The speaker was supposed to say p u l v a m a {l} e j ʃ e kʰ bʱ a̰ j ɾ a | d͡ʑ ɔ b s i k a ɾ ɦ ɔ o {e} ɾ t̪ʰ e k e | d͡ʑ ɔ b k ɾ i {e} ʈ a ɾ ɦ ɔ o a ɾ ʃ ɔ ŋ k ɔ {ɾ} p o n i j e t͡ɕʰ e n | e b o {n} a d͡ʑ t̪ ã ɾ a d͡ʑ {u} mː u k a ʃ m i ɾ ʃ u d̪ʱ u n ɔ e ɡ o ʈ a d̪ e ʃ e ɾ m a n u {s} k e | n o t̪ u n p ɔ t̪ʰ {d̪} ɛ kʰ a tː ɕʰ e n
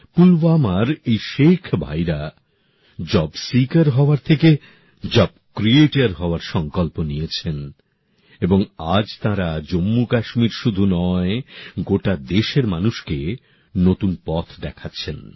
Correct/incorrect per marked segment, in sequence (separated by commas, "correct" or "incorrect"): incorrect, incorrect, correct, incorrect, incorrect, incorrect, incorrect, correct